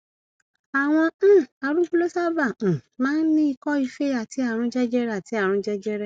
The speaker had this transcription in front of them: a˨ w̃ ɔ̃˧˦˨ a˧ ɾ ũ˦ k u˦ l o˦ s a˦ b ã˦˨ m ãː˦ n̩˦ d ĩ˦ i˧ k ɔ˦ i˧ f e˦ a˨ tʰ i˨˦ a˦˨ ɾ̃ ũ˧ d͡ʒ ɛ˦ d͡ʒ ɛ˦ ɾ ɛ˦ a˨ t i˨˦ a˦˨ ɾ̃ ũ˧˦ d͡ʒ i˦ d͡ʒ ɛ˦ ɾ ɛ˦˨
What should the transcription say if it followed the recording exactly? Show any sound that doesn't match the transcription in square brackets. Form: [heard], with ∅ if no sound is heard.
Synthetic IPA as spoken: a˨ w̃ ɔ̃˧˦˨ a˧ ɾ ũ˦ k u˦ l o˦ s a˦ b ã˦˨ m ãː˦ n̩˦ [n] ĩ˦ i˧ k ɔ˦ i˧ f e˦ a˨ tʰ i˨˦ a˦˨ ɾ̃ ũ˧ d͡ʒ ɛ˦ d͡ʒ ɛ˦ ɾ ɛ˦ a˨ t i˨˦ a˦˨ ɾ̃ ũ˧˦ d͡ʒ [ɛ˦] d͡ʒ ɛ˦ ɾ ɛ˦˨

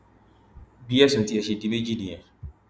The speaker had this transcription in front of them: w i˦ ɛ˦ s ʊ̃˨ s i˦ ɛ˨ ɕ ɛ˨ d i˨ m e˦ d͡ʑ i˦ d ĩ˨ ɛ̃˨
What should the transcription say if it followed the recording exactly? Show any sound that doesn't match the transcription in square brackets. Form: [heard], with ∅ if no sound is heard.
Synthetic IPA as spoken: [b] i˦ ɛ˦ s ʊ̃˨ [t] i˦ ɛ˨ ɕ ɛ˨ d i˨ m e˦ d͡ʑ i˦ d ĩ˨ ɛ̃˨

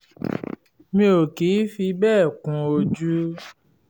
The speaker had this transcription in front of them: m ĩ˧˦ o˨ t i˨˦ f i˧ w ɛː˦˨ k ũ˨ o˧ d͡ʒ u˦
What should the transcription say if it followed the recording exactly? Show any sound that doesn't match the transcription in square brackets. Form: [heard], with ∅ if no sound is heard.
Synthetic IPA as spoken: m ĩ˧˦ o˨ [k] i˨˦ f i˧ [b] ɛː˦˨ k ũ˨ o˧ d͡ʒ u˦

